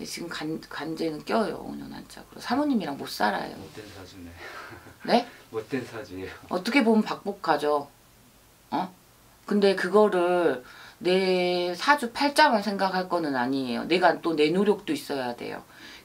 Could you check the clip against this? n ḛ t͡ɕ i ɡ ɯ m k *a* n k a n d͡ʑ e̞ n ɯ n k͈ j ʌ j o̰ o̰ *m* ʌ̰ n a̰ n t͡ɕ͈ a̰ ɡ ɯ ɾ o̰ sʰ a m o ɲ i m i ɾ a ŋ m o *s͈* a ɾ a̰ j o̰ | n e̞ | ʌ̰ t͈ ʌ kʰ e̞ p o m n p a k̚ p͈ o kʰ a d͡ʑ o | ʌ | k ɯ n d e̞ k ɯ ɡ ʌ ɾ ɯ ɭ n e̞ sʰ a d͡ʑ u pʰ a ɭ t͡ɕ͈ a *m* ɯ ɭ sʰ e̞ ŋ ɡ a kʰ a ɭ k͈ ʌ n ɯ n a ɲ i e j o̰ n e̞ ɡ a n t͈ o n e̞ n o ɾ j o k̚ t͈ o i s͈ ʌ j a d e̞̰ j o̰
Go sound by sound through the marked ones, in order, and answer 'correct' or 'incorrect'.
correct, incorrect: ɲ, correct, correct

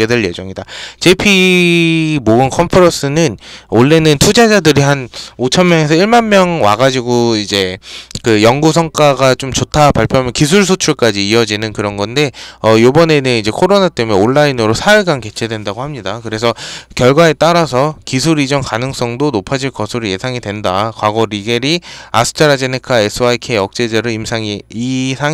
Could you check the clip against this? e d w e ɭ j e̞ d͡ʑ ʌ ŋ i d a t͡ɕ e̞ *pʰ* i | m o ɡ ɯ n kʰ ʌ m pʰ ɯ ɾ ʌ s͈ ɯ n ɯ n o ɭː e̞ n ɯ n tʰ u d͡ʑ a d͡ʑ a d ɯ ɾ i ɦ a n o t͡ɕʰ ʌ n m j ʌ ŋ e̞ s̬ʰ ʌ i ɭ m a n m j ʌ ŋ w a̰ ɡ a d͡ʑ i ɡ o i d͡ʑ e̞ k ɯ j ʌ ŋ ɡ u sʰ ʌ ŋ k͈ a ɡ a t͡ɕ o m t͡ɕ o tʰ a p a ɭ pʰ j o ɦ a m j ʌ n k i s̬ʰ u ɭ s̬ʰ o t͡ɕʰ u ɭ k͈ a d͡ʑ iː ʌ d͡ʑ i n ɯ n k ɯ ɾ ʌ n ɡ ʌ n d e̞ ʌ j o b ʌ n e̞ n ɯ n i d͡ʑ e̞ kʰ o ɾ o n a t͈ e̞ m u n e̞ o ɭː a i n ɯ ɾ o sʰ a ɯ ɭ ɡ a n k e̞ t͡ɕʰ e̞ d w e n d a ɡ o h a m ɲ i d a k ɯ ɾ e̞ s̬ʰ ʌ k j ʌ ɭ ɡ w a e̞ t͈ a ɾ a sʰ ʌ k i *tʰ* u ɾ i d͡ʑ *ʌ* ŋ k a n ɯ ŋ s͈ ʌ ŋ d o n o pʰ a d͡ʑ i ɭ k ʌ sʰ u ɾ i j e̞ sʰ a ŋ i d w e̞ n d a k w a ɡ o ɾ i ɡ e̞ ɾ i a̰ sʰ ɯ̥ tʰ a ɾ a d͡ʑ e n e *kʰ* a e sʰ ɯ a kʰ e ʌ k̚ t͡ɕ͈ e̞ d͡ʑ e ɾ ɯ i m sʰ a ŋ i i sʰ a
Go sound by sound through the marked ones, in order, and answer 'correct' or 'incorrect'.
correct, incorrect: sʰ, correct, correct

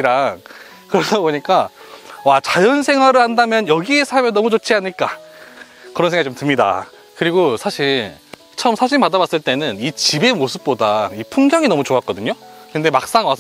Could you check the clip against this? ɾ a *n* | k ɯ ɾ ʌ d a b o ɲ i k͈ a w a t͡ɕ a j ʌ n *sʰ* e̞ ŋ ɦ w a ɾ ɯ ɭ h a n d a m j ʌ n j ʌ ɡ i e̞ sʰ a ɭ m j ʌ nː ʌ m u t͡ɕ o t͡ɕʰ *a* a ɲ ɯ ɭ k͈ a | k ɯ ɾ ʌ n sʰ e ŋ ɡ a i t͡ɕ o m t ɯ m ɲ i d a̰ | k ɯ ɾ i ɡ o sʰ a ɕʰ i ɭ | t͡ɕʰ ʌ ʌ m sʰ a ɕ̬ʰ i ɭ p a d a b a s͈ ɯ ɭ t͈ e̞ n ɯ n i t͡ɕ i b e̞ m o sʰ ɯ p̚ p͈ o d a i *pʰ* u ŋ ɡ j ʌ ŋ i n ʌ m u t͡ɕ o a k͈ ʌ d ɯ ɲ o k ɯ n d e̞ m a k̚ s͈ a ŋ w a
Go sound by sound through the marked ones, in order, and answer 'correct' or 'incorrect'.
incorrect: ŋ, correct, incorrect: i, correct

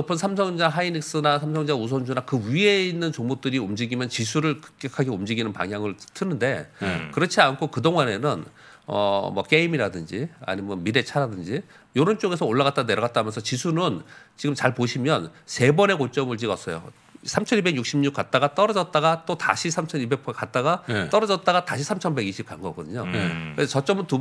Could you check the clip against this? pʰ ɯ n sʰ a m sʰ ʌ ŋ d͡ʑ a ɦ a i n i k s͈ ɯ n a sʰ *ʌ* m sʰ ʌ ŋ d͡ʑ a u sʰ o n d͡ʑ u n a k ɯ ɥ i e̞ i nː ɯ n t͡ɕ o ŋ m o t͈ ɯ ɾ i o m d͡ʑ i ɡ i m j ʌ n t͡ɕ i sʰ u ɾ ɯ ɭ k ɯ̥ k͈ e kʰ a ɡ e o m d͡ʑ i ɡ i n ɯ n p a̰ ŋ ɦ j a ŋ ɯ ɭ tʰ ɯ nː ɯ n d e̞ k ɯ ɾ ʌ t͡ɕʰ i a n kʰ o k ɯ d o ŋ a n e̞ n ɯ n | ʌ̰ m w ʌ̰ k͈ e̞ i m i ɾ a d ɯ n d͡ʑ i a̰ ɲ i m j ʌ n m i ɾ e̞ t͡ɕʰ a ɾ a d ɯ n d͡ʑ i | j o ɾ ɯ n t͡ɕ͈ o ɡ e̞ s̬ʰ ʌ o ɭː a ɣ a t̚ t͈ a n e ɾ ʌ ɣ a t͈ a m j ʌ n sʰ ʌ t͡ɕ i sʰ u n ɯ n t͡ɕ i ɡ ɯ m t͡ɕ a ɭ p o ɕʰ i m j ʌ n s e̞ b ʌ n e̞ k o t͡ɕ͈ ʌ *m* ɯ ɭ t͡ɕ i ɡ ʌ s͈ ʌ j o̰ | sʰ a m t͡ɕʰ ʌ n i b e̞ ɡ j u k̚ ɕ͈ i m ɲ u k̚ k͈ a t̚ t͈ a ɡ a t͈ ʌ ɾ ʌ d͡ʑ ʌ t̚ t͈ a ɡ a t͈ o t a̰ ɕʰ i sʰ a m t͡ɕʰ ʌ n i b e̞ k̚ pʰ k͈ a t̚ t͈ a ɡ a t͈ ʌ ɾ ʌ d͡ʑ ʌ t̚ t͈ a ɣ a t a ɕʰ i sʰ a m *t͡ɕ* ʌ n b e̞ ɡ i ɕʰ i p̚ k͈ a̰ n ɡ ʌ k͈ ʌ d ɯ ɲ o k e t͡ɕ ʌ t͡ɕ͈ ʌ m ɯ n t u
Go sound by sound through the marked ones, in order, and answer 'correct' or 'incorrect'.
incorrect: a, correct, incorrect: t͡ɕʰ

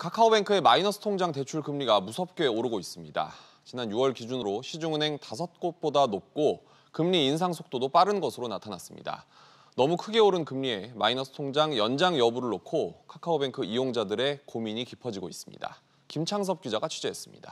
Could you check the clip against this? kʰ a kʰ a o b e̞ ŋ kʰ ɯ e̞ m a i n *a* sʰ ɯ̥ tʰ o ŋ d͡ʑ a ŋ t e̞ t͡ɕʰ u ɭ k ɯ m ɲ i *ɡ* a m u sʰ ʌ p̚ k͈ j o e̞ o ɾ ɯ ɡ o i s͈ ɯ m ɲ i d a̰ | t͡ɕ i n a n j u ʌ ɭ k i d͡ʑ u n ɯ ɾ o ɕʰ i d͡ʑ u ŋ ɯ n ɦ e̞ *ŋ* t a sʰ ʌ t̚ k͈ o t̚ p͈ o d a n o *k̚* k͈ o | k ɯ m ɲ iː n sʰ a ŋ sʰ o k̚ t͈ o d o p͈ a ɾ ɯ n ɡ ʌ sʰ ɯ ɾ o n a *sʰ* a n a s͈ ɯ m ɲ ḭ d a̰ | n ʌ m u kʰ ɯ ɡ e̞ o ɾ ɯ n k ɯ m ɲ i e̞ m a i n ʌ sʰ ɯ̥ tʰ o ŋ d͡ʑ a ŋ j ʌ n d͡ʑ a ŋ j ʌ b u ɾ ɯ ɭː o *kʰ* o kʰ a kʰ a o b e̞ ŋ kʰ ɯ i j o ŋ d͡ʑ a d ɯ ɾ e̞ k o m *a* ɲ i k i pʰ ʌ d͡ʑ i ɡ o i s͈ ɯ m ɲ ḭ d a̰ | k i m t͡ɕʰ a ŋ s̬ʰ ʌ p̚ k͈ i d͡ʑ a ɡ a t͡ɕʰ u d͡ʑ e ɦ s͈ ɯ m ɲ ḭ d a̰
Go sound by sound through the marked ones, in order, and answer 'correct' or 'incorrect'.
incorrect: ʌ, correct, correct, incorrect: p̚, incorrect: tʰ, correct, incorrect: i

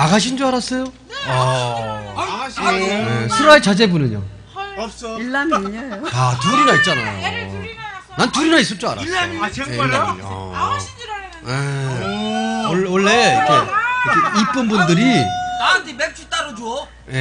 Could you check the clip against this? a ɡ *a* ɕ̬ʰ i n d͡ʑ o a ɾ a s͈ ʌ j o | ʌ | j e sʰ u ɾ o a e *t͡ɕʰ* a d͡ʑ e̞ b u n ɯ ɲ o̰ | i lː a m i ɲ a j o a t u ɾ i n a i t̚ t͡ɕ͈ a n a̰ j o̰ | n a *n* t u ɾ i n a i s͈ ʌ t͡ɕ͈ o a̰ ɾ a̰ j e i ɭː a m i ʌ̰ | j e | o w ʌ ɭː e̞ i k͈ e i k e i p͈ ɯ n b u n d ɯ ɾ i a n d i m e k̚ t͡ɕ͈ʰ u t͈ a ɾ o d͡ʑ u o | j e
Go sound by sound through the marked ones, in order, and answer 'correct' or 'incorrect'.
correct, incorrect: t͡ɕ, correct

